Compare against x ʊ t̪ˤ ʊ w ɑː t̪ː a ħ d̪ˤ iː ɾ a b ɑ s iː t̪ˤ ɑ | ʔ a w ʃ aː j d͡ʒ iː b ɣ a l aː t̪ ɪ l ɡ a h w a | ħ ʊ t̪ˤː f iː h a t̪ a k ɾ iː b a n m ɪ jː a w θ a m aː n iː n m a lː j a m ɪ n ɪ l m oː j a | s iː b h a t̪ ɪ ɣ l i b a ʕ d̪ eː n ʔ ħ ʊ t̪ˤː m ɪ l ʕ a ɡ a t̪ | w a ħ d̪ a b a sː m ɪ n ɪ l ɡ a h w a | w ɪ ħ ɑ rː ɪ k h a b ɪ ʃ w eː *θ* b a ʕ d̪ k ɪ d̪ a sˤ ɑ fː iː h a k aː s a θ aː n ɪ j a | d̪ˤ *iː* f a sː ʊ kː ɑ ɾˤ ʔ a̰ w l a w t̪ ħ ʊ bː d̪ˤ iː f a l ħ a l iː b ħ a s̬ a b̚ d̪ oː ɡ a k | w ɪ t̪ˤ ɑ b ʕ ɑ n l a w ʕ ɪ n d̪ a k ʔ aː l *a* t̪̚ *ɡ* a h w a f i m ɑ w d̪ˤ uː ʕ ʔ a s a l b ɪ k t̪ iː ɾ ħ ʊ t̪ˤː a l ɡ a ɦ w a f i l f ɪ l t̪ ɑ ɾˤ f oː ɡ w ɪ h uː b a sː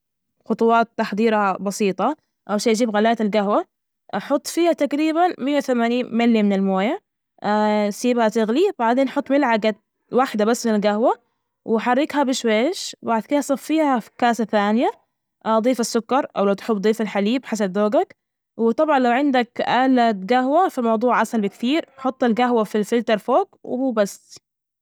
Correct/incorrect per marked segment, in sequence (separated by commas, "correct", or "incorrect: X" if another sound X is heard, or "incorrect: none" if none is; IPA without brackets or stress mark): incorrect: ʃ, correct, correct, correct